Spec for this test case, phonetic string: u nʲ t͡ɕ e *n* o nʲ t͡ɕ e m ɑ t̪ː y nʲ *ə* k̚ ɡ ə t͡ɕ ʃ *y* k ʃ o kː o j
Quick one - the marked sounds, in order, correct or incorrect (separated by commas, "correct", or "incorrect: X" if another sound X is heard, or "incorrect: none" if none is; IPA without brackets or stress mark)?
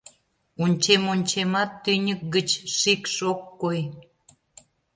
incorrect: m, correct, incorrect: i